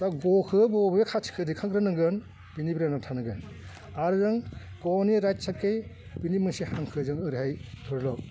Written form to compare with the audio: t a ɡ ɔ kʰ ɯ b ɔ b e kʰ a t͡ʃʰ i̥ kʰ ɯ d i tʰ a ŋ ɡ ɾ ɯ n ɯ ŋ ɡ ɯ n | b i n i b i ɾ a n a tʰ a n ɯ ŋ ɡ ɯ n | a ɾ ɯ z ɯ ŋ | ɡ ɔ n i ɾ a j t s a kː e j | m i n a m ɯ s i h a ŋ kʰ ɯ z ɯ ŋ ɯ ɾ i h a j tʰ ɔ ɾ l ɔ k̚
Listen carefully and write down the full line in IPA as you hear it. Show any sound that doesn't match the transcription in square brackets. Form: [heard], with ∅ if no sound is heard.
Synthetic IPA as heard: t a ɡ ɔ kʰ ɯ b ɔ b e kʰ a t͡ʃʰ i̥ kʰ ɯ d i [kʰ] a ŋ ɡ ɾ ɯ n ɯ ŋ ɡ ɯ n | b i n i b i ɾ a n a tʰ a n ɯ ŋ ɡ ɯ n | a ɾ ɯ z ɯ ŋ | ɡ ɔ n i ɾ a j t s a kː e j | [b] i n [i] m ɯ s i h a ŋ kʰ ɯ z ɯ ŋ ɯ ɾ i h a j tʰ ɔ ɾ l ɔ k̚